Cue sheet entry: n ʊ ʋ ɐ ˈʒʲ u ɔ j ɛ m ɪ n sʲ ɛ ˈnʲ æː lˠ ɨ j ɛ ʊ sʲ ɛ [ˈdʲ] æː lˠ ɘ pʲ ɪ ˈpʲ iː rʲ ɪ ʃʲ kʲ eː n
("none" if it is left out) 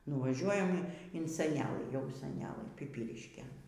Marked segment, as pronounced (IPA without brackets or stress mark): nʲ